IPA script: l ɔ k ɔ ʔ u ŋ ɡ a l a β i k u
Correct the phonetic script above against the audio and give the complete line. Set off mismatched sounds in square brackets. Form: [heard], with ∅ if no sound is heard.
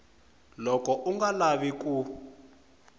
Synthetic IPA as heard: l ɔ k ɔ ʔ u ŋ ɡ a l a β i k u